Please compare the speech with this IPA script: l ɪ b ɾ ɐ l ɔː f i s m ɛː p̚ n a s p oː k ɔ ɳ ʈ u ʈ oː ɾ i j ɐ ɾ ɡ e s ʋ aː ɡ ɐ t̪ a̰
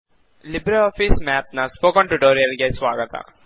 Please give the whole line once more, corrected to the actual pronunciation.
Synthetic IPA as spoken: l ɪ b ɾ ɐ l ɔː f i s m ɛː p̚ n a s p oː k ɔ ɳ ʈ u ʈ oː ɾ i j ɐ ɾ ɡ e s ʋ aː ɡ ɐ t̪ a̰